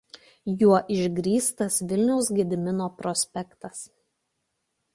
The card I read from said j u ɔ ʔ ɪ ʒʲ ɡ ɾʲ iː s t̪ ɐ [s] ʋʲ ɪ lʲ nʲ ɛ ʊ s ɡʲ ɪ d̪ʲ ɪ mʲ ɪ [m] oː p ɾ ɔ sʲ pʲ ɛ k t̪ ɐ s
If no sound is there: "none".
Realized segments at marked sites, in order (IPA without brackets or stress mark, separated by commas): s, n